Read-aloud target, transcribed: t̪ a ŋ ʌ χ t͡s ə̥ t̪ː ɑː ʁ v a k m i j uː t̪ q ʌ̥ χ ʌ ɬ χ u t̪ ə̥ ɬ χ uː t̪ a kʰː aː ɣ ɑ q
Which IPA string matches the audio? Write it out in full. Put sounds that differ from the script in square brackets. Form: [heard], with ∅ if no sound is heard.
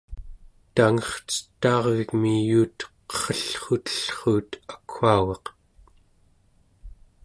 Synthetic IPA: t̪ a ŋ ʌ χ t͡s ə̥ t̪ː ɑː ʁ v [i] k m i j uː t̪ q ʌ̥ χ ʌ ɬ χ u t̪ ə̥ ɬ χ uː t̪ a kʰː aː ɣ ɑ q